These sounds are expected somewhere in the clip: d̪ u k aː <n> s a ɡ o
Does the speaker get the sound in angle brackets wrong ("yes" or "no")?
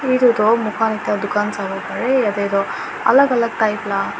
no